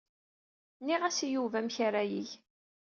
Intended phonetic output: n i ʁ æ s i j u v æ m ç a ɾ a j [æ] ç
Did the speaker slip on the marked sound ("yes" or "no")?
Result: yes